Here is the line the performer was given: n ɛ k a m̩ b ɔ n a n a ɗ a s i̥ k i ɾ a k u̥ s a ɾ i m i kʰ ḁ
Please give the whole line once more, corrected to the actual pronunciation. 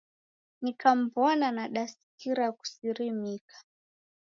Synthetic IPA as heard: n i k a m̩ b ɔ n a n a ɗ a s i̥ k i ɾ a k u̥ s i ɾ i m i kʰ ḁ